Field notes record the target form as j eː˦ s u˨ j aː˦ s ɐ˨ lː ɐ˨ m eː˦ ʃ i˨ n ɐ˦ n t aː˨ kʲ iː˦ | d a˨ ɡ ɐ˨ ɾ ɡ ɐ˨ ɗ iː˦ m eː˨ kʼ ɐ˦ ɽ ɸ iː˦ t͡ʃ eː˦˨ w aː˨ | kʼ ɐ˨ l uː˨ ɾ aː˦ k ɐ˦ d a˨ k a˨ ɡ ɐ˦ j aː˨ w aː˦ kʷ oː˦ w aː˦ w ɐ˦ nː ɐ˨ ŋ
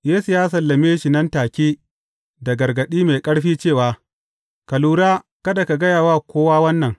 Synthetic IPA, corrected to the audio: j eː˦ s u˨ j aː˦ s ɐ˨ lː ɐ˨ m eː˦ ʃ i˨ n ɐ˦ n t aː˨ kʲ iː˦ | d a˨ ɡ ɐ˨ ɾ ɡ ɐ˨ ɗ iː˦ m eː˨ kʼ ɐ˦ ɽ ɸ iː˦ t͡ʃ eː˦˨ w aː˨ | k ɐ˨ l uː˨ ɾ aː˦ k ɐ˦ d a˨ k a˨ ɡ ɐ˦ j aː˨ w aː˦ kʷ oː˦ w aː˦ w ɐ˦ nː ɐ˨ ŋ